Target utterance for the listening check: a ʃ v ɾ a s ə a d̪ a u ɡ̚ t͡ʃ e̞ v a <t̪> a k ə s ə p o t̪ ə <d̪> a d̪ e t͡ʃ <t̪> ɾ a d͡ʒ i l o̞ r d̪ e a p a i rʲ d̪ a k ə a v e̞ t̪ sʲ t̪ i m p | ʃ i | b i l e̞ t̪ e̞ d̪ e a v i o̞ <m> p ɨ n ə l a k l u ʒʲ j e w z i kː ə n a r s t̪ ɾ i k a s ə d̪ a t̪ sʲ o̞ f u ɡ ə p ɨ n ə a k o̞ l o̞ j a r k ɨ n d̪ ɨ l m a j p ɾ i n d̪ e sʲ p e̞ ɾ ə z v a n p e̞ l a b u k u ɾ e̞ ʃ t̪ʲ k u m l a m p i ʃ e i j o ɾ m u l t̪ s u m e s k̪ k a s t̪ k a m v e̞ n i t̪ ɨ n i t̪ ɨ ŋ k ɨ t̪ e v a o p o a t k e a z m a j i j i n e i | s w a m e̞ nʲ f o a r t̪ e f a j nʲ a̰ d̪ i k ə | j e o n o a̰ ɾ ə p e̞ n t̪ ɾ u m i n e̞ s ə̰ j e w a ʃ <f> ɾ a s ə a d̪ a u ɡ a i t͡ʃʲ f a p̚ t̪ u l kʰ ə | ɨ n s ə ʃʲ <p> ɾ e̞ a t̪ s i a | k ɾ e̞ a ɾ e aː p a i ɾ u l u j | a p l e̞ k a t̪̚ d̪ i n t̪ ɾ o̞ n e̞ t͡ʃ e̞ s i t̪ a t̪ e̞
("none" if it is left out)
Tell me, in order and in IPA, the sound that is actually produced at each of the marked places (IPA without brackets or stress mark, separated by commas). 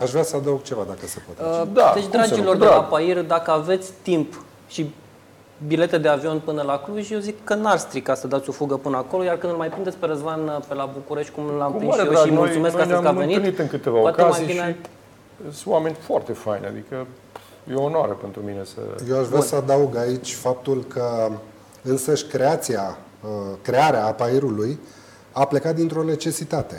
d̪, d̪, d̪, n, v, k